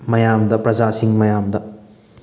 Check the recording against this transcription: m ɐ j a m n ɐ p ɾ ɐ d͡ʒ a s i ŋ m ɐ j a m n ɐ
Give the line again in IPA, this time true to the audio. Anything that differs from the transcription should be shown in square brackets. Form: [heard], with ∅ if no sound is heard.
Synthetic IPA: m ɐ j a m [d] ɐ p ɾ ɐ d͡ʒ a s i ŋ m ɐ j a m [d] ɐ